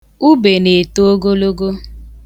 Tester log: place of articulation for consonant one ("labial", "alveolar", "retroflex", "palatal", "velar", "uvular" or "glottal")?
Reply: labial